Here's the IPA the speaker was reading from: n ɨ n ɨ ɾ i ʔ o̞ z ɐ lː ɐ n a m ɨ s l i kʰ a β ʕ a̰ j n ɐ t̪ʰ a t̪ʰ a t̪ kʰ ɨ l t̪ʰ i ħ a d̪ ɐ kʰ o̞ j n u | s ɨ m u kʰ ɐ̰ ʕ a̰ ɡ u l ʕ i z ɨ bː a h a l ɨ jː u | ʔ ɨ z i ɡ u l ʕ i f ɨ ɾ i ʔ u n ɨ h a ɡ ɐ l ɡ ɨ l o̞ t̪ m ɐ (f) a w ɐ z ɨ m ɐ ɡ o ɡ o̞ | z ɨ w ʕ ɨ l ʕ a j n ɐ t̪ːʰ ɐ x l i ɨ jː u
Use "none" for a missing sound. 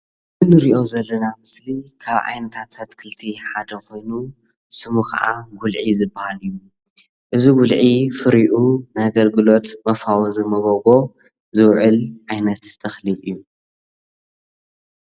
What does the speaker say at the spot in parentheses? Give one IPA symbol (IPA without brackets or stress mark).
f